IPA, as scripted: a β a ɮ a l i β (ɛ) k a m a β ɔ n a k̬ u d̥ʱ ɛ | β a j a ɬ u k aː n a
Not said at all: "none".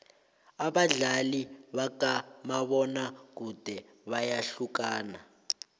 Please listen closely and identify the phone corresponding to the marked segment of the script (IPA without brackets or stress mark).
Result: a